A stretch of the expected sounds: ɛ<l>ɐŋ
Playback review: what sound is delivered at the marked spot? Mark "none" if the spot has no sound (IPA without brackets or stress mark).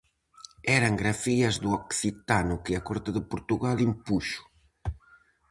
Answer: ɾ